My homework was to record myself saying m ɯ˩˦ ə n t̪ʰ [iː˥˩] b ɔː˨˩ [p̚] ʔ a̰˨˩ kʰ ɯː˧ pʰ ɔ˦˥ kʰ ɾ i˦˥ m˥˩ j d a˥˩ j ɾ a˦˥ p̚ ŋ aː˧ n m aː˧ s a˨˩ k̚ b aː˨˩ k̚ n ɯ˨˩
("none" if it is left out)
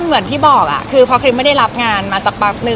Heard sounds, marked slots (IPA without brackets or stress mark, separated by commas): iː˥˩, k̚